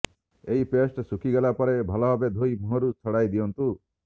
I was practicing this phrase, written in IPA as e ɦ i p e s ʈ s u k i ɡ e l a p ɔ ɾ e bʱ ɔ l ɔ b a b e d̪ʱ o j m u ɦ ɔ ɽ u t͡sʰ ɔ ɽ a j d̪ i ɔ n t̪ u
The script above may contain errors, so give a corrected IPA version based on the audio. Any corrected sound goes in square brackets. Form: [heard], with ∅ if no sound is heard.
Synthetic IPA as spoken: e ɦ i p e s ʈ s u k i ɡ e l a p ɔ ɾ e bʱ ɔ l ɔ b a b e d̪ʱ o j m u ɦ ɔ [ɾ] u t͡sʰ ɔ ɽ a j d̪ i ɔ n t̪ u